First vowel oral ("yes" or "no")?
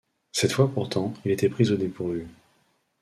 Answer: yes